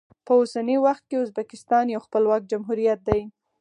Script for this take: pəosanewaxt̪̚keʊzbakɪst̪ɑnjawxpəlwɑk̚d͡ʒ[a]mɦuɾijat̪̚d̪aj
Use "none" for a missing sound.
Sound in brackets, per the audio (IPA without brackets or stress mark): a